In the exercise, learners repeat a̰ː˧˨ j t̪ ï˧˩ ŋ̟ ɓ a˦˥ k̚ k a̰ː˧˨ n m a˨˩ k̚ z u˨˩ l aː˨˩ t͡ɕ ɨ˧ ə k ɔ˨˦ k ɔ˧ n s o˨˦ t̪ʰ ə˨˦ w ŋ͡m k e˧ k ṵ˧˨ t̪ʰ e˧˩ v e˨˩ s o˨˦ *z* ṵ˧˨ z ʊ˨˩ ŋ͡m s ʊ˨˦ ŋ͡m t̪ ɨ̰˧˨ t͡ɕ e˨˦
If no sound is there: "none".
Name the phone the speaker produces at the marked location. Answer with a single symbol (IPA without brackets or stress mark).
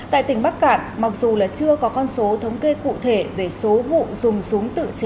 v